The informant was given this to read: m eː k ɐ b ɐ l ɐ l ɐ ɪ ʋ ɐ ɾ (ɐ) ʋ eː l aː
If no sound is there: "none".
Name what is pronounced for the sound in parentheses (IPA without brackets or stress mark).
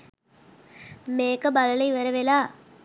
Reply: ɐ